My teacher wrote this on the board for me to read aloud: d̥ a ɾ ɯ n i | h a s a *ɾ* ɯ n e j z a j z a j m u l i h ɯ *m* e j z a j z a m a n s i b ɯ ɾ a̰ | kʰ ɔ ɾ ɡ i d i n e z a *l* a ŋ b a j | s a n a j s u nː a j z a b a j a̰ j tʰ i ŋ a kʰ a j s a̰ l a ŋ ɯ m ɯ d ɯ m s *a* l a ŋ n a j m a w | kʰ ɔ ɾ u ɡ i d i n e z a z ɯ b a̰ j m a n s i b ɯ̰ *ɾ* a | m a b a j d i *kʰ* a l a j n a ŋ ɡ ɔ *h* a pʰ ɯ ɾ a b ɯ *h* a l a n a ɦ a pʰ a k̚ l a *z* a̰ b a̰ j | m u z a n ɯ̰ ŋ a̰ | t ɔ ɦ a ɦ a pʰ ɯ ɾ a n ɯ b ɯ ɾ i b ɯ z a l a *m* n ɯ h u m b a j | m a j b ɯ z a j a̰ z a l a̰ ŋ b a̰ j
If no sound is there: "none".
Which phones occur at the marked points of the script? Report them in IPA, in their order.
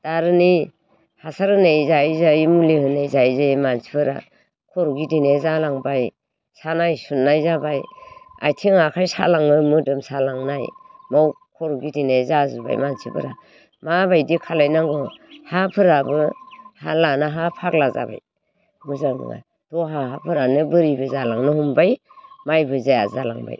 ɾ, n, l, a, ɾ, kʰ, h, h, z, ŋ

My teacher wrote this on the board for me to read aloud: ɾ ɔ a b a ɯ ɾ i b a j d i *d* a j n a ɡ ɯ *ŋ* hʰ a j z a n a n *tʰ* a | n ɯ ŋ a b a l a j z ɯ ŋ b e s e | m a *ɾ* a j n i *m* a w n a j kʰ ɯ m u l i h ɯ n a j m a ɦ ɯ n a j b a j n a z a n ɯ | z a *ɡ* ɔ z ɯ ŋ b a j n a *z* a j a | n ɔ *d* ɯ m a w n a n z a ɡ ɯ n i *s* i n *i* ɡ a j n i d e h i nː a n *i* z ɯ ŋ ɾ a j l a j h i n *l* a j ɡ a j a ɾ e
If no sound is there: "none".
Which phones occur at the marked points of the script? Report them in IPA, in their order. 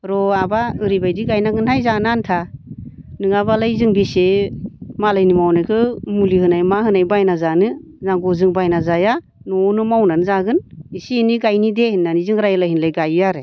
ɡ, n, tʰ, l, m, ɡ, z, n, s, i, i, l

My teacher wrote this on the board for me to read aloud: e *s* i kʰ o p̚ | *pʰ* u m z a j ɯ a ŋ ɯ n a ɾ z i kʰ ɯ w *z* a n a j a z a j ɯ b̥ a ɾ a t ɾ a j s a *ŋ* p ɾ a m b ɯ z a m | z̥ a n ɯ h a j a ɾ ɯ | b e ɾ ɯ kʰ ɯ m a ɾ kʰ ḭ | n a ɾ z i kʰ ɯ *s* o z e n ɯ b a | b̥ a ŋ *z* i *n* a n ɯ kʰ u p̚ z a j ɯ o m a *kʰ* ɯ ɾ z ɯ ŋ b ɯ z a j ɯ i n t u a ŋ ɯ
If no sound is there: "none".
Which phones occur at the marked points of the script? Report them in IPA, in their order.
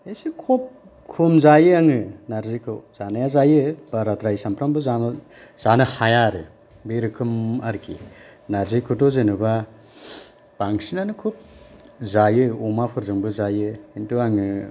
s, kʰ, z, m, t, s, n, pʰ

